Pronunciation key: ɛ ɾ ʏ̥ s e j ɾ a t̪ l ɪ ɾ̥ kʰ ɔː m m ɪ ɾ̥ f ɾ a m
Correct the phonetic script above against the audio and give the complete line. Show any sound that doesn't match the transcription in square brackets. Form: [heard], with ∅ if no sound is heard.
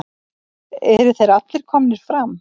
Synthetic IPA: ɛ ɾ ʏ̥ [θ] e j ɾ a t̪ l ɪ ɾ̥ kʰ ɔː m [n] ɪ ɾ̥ f ɾ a m